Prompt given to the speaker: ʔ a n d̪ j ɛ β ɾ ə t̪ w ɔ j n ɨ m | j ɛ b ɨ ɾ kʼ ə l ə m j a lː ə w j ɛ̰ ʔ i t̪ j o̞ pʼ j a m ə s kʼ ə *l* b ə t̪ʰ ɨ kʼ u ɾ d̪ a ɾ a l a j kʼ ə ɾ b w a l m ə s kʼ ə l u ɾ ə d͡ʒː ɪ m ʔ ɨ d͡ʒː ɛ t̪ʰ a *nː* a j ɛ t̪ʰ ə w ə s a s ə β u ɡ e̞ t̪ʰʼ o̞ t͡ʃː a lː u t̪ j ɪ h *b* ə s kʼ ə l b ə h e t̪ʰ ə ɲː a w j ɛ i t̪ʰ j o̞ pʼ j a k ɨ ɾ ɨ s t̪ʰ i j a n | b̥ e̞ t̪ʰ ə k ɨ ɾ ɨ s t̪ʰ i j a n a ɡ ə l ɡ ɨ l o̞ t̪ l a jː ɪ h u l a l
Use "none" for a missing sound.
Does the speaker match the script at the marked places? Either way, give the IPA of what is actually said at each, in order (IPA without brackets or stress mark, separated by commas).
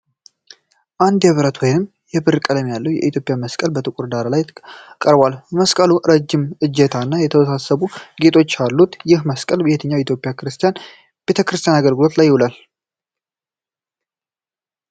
l, nː, m